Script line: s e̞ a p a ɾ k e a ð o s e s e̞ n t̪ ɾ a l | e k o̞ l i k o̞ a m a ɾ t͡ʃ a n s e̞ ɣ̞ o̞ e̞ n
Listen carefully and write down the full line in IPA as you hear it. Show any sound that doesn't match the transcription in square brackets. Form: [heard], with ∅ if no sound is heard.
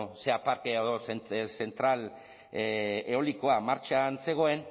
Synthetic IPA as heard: s e̞ a p a ɾ k e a ð o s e s e̞ n t̪ ɾ a l | e [∅] o̞ l i k o̞ a m a ɾ t͡ʃ a n s e̞ ɣ̞ o̞ e̞ n